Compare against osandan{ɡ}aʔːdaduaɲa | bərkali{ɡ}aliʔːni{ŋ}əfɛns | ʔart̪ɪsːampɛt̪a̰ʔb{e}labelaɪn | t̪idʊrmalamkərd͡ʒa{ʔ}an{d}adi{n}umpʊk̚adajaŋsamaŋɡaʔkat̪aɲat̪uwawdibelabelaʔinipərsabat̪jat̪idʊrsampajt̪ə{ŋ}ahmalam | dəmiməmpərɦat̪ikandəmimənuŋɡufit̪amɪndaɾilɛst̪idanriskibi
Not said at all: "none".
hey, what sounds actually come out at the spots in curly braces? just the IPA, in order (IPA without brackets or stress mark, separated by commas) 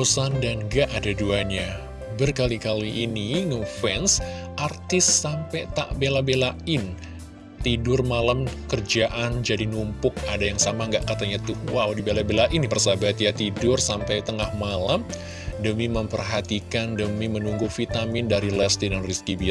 ɡ, k, ŋ, e, ʔ, d͡ʒ, n, ŋ